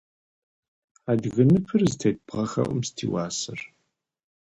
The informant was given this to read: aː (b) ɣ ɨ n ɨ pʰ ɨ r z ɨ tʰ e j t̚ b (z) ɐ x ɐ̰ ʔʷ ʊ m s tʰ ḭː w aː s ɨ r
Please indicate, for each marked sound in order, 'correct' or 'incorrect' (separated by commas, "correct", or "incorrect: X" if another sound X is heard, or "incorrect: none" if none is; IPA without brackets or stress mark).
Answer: incorrect: d, incorrect: ʁ